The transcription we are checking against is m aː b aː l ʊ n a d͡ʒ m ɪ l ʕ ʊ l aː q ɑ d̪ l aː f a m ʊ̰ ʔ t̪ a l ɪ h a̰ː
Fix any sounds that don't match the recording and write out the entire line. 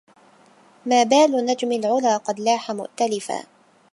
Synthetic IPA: m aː b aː l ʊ n a d͡ʒ m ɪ l ʕ ʊ l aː q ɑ d̪ l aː ħ a m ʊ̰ ʔ t̪ a l ɪ f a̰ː